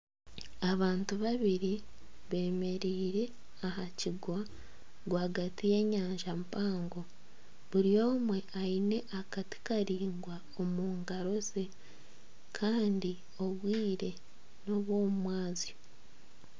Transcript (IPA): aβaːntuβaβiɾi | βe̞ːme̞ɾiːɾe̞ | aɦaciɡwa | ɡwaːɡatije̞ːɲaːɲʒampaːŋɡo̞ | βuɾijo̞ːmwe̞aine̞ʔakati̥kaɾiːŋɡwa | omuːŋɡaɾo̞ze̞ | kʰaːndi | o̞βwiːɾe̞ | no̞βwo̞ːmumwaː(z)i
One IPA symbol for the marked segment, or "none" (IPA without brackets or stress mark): z